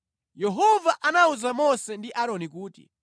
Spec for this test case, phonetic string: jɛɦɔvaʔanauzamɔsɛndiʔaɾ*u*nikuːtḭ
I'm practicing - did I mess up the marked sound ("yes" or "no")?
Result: yes